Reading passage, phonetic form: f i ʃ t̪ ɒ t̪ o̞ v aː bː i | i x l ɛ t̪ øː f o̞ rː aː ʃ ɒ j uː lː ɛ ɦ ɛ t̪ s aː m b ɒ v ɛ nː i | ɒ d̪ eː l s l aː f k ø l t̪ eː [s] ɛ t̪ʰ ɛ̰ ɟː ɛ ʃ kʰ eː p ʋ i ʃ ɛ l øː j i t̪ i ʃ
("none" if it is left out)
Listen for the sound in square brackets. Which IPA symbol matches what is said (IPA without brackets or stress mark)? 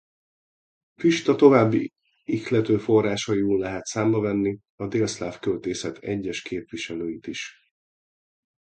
s